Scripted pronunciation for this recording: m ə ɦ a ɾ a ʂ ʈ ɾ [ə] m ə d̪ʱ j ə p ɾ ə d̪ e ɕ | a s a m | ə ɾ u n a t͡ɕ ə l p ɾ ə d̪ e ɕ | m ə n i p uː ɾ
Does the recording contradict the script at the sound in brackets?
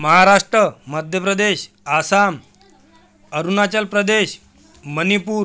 no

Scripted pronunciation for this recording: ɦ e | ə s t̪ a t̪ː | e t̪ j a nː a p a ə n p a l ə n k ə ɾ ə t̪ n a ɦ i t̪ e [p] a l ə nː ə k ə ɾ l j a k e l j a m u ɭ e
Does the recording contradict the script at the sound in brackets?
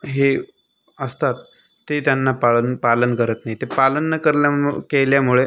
no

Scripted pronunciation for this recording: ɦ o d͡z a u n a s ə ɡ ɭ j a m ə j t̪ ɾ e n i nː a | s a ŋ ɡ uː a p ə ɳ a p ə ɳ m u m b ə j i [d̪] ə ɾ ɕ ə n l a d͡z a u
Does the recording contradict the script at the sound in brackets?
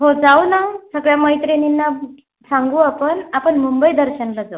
no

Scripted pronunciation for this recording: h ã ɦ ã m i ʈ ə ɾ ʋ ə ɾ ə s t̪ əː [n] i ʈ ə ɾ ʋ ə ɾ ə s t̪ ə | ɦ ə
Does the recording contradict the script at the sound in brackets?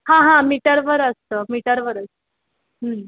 yes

